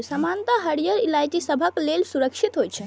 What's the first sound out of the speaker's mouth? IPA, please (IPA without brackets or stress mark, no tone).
s